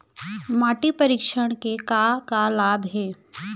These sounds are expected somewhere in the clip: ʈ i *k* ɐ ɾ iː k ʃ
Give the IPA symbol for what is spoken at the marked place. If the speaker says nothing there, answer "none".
p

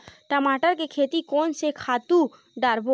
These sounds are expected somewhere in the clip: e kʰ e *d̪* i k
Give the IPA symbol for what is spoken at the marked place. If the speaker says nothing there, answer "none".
t̪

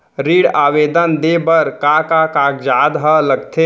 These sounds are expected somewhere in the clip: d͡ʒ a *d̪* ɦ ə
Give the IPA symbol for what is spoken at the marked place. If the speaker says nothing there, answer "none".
d̪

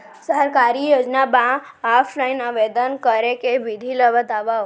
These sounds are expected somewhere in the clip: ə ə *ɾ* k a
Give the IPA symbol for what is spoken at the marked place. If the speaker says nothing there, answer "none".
ɾ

